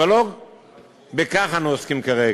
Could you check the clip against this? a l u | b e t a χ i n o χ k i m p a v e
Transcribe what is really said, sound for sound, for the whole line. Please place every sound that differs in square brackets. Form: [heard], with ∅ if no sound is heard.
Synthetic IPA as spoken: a l [o] | b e [k] a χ [a] n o [s] k i m [k] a [ʁ] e